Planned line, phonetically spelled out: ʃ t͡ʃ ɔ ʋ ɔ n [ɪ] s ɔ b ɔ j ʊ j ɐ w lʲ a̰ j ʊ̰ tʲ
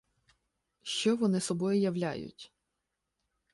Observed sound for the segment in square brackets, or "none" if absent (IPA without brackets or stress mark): ɪ